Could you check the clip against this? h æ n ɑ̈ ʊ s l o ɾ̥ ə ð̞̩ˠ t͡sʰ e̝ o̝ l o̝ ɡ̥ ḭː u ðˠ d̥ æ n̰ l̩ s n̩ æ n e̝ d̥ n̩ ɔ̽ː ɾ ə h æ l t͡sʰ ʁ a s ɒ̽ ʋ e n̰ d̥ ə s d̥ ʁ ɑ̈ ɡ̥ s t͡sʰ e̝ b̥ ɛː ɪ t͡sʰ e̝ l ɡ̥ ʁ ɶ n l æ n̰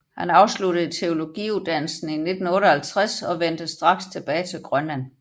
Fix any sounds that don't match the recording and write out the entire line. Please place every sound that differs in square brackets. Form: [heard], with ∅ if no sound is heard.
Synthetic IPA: h æ n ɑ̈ ʊ s l [u] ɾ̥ ə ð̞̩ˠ t͡sʰ e̝ o̝ l o̝ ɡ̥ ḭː u ðˠ d̥ æ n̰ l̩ s n̩ [i] n e̝ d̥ n̩ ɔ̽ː ɾ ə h æ l t͡sʰ ʁ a s ɒ̽ ʋ e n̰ d̥ ə s d̥ ʁ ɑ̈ ɡ̥ s t͡sʰ e̝ b̥ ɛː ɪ t͡sʰ e̝ l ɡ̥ ʁ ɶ n l æ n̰

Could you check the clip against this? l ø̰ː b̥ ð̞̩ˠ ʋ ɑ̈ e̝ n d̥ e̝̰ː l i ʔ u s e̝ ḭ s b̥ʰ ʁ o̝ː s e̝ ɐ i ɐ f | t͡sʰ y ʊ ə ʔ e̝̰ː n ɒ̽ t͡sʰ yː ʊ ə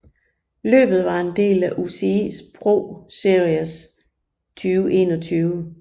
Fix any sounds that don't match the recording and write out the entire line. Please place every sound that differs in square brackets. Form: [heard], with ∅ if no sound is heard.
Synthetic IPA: l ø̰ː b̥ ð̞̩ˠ ʋ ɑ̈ e̝ n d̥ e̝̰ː l [æ] ʔ u s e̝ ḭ s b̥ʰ ʁ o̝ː s e̝ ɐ i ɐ [s] | t͡sʰ [yː] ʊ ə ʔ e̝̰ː n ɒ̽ t͡sʰ yː ʊ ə

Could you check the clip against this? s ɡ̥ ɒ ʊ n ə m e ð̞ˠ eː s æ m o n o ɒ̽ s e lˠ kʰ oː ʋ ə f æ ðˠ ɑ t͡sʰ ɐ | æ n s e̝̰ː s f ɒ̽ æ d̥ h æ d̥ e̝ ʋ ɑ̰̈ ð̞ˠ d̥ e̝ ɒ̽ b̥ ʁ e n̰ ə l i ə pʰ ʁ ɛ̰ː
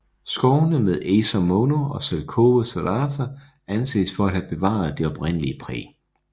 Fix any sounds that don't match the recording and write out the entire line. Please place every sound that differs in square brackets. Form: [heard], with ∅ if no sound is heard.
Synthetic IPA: s ɡ̥ ɒ ʊ n ə m e ð̞ˠ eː s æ m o n o ɒ̽ s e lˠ kʰ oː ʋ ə [s] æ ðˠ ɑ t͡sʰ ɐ | æ n s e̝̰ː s f ɒ̽ æ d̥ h æ [b̥] e̝ ʋ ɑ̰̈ ð̞ˠ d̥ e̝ ɒ̽ b̥ ʁ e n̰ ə l i ə pʰ ʁ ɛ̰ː

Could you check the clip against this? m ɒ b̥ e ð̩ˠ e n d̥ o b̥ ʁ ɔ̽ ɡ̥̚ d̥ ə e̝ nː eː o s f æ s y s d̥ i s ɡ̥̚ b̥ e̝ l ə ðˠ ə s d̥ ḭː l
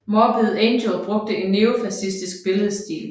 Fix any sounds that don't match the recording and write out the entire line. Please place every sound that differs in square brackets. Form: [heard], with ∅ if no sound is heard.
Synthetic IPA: m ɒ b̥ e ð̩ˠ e n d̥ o b̥ ʁ ɔ̽ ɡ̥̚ d̥ ə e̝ nː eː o [∅] f æ s [i] s d̥ i s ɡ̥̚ b̥ e̝ l ə ðˠ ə s d̥ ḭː l

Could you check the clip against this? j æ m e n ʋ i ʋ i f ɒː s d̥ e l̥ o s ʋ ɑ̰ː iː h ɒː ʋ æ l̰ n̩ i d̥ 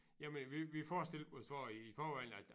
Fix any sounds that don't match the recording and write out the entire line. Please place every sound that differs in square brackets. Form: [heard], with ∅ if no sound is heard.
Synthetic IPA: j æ m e n ʋ i ʋ i f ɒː s d̥ e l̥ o s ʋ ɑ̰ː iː [f] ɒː ʋ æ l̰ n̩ [æ] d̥

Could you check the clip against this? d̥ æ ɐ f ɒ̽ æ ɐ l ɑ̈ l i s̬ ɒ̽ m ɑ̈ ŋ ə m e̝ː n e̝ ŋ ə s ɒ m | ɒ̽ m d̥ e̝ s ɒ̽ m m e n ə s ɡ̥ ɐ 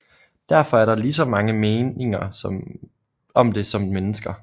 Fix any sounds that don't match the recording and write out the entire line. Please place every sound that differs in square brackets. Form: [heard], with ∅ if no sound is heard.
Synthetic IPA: d̥ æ ɐ f ɒ̽ æ ɐ [ɾ] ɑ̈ l i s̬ ɒ̽ m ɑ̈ ŋ ə m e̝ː n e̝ ŋ [ɐ] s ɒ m | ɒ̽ m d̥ e̝ s ɒ̽ m m e n ə s ɡ̥ ɐ

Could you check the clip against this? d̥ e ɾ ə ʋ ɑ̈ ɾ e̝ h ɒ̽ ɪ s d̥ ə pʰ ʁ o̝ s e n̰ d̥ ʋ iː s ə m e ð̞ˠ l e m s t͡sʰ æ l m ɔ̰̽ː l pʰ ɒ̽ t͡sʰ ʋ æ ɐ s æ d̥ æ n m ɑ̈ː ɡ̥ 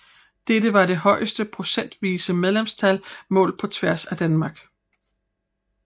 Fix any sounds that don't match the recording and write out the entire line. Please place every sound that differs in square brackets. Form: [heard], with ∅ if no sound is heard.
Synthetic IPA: d̥ e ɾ ə ʋ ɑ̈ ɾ e̝ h ɒ̽ ɪ s d̥ ə pʰ ʁ o̝ s e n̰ d̥ ʋ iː s ə m e ð̞ˠ l e m s t͡sʰ æ l m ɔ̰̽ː l pʰ ɒ̽ t͡sʰ ʋ æ ɐ s æ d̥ æ n m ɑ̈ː ɡ̥

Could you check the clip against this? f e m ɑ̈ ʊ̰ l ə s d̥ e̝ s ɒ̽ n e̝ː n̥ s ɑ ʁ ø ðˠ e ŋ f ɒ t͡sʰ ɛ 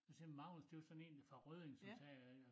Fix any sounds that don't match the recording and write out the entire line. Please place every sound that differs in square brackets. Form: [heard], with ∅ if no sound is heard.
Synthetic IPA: [s] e m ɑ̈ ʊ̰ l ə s d̥ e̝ s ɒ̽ n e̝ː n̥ [f] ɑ ʁ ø ðˠ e ŋ [s] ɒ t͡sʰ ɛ

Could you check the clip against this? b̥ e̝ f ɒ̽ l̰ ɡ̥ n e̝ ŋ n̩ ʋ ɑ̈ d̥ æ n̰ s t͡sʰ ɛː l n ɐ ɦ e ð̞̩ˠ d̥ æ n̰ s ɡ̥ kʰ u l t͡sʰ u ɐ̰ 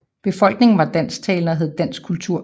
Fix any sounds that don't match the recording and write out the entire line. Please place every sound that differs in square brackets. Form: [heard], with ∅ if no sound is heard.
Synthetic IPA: b̥ e̝ f ɒ̽ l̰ ɡ̥ n e̝ ŋ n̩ ʋ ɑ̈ d̥ æ n̰ s t͡sʰ ɛː l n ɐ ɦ e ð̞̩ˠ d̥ æ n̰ s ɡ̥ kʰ u l t͡sʰ u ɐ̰

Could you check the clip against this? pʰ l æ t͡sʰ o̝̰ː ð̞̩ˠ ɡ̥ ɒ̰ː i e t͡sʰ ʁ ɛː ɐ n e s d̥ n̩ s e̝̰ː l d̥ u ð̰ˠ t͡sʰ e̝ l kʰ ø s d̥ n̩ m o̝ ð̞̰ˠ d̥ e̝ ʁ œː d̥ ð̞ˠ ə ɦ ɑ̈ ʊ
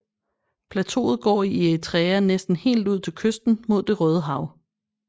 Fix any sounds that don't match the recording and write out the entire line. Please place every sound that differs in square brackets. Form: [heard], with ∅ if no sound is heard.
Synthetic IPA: pʰ l æ t͡sʰ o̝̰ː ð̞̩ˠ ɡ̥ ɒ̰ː i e t͡sʰ ʁ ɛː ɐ n e s d̥ n̩ [h] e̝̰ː l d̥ u ð̰ˠ t͡sʰ e̝ l kʰ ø s d̥ n̩ m o̝ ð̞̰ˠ d̥ e̝ ʁ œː [∅] ð̞ˠ ə ɦ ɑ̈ ʊ

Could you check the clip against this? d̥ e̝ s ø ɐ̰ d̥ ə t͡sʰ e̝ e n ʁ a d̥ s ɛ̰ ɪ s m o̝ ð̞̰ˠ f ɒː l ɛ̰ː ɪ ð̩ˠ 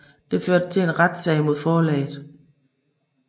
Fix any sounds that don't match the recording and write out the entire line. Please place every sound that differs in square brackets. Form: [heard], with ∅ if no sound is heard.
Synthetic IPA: d̥ e̝ [f] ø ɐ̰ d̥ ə t͡sʰ e̝ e n ʁ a d̥ s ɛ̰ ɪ [∅] m o̝ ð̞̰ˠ f ɒː l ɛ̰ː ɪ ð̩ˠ

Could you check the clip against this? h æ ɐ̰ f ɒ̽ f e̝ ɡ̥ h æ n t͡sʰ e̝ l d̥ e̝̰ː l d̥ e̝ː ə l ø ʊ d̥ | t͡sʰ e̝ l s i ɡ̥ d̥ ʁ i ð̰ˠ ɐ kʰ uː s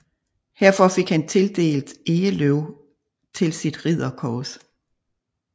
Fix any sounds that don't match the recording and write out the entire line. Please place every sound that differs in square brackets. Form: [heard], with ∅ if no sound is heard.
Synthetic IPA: h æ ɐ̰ f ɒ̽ f e̝ ɡ̥ h æ n t͡sʰ e̝ l d̥ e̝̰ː l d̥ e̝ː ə l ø ʊ [∅] | t͡sʰ e̝ l s i [∅] d̥ ʁ i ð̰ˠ ɐ kʰ [ɒː] s

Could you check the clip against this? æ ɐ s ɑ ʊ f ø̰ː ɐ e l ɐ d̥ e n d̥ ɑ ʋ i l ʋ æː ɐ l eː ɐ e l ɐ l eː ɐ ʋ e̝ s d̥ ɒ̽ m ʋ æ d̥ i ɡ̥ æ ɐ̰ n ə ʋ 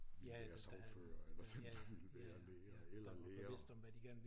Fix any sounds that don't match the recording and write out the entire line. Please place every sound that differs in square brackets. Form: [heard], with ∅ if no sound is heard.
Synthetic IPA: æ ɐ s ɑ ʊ f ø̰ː ɐ e l ɐ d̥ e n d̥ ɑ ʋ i l ʋ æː ɐ l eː ɐ e l ɐ l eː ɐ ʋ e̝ s d̥ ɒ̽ m ʋ æ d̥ i ɡ̥ æ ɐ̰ n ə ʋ

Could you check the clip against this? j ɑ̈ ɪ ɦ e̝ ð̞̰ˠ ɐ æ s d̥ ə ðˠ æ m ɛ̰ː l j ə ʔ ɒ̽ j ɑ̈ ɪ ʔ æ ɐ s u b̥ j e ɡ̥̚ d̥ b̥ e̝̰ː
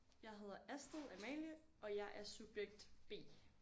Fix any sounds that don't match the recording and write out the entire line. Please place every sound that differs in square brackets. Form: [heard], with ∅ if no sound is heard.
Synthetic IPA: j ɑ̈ ɪ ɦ e̝ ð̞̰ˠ ɐ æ s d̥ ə ðˠ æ m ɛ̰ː l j ə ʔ ɒ̽ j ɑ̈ ɪ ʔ æ ɐ s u b̥ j e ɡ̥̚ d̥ b̥ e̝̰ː

